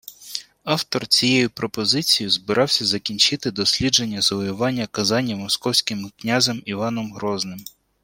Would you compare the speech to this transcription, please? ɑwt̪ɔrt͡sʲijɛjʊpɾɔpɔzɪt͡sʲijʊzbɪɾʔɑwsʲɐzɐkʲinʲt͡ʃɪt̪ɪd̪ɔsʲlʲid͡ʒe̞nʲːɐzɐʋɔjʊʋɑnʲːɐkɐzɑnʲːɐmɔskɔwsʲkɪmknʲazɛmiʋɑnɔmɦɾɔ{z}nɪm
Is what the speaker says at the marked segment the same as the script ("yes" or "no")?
yes